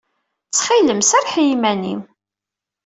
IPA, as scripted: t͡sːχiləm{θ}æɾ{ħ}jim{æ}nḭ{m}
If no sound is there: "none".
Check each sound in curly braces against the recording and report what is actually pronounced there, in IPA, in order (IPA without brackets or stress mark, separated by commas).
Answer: s, ħ, æ, m